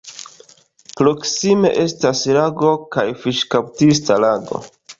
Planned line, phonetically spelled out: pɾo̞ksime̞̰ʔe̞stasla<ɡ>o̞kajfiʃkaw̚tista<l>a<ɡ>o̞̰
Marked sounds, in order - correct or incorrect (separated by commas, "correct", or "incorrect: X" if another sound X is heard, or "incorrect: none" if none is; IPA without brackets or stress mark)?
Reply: correct, correct, correct